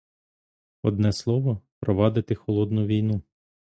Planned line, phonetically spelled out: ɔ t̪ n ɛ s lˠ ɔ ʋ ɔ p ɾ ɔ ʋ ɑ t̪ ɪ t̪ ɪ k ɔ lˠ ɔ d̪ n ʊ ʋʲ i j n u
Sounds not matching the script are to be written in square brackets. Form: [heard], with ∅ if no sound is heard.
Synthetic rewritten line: ɔ [d̪] n ɛ s lˠ ɔ ʋ ɔ p ɾ ɔ ʋ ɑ [d̪] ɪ t̪ ɪ [x] ɔ lˠ ɔ d̪ n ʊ ʋʲ i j n u